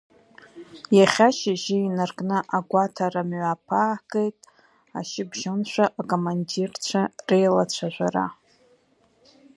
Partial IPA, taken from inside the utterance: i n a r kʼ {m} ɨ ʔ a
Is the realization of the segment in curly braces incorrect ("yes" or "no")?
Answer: yes